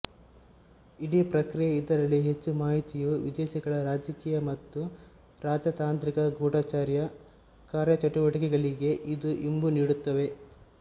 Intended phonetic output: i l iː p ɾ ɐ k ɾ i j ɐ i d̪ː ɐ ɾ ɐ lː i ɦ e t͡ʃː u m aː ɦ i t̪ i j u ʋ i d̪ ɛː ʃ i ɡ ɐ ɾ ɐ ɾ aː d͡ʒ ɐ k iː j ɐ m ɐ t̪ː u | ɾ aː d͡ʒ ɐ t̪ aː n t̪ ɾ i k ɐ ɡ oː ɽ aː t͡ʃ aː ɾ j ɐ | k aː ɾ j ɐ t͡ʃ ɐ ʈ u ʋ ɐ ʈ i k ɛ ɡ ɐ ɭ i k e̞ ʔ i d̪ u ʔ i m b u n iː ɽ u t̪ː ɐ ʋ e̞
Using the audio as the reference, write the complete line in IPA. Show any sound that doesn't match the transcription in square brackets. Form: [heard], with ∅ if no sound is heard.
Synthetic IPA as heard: i [ɽ] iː p ɾ ɐ k ɾ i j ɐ i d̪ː ɐ ɾ ɐ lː i ɦ e t͡ʃː u m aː ɦ i t̪ i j u ʋ i d̪ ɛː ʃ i ɡ ɐ [ɭ] ɐ ɾ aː d͡ʒ ɐ k iː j ɐ m ɐ t̪ː u | ɾ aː d͡ʒ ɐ t̪ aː n t̪ ɾ i k ɐ ɡ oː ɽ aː t͡ʃ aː ɾ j ɐ | k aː ɾ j ɐ t͡ʃ ɐ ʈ u ʋ ɐ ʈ i k ɛ ɡ ɐ ɭ i [ɡ] e̞ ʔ i d̪ u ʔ i m b u n iː ɽ u t̪ː ɐ ʋ e̞